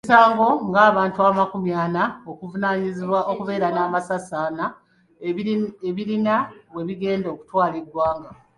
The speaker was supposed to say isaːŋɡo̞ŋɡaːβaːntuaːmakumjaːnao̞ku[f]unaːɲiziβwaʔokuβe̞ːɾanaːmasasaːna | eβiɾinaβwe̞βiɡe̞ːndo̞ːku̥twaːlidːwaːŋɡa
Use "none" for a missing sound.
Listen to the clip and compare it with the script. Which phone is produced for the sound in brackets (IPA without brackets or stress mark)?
v